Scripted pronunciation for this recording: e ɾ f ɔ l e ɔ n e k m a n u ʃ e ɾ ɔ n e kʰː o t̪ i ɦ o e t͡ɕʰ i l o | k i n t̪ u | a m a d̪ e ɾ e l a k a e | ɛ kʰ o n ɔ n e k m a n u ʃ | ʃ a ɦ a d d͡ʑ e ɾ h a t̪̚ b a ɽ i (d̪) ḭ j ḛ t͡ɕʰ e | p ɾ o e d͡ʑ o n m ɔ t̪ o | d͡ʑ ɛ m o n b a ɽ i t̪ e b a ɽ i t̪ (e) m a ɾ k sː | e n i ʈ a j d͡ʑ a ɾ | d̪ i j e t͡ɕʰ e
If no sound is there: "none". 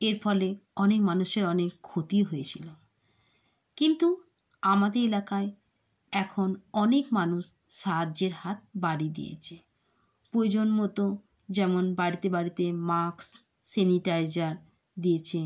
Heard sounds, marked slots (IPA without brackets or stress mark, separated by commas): d̪, e